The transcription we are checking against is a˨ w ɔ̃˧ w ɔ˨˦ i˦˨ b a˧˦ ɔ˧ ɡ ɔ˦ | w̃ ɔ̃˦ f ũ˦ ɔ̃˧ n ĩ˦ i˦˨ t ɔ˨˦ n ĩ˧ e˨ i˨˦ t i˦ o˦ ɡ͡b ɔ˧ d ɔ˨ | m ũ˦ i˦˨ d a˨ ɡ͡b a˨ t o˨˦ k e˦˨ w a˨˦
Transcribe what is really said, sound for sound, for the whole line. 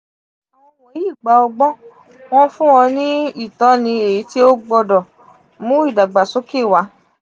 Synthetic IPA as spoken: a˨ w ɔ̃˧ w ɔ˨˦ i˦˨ ɡ͡b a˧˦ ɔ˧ ɡ͡b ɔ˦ | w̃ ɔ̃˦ f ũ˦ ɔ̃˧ n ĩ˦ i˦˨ t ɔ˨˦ n ĩ˧ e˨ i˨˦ t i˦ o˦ ɡ͡b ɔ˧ d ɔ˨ | m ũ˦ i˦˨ d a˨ ɡ͡b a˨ s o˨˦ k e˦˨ w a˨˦